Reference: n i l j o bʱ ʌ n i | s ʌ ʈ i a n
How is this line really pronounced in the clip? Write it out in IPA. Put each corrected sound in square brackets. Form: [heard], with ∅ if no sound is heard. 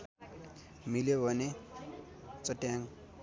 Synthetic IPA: [m] i l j o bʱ ʌ n [e] | [t͡s] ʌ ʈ [j] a [ŋ]